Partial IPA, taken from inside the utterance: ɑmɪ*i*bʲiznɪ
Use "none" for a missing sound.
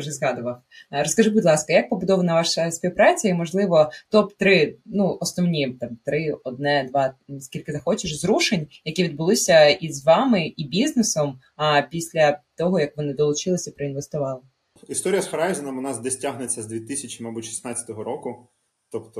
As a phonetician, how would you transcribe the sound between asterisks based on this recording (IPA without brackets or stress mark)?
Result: i